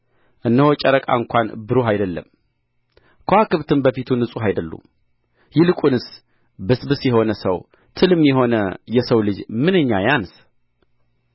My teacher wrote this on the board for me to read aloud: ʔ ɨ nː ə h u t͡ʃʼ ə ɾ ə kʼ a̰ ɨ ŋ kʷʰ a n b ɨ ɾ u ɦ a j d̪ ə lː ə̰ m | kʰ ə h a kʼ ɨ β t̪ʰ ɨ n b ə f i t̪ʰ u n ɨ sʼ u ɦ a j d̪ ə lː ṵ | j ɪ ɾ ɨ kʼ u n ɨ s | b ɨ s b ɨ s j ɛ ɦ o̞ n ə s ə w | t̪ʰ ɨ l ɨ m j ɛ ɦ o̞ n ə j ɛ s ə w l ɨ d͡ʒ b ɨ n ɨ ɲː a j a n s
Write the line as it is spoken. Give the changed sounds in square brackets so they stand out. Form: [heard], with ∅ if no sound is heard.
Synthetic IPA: ʔ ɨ nː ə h [o] t͡ʃʼ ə ɾ ə kʼ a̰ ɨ ŋ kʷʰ a n b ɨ ɾ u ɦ a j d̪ ə lː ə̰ m | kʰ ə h a [k] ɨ β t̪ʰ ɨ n b ə f i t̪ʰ u n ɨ sʼ u ɦ a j d̪ ə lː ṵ | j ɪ [l] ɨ kʼ u n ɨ s | b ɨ s b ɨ s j ɛ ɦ o̞ n ə s ə w | t̪ʰ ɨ l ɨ m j ɛ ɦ o̞ n ə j ɛ s ə w l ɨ d͡ʒ [m] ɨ n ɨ ɲː a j a n s